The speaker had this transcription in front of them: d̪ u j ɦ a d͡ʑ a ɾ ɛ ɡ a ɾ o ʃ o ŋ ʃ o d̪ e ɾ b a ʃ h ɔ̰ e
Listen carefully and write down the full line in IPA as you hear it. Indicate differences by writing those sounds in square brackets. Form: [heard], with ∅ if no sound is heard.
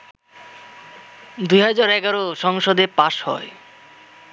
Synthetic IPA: d̪ u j ɦ a d͡ʑ a ɾ ɛ ɡ a ɾ o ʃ [ɔ] ŋ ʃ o d̪ e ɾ [p] a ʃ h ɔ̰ e